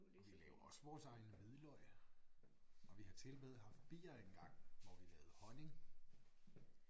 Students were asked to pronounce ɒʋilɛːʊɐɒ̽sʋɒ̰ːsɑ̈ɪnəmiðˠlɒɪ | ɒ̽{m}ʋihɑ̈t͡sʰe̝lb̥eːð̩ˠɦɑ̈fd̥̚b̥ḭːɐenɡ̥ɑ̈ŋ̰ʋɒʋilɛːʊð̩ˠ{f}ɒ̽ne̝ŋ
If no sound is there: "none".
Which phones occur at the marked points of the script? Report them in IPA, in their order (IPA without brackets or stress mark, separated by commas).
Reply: none, h